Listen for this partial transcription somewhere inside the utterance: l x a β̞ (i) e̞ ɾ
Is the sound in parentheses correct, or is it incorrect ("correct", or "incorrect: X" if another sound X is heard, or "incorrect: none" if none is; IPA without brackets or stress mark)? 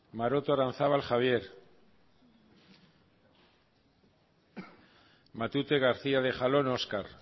incorrect: j